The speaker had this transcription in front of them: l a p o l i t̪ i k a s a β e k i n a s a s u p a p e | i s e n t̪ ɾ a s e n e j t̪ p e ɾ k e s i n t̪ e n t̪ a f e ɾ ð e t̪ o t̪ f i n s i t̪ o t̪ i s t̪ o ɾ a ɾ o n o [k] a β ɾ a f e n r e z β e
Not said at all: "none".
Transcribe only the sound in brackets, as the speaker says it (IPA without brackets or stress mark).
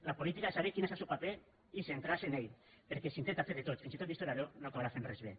k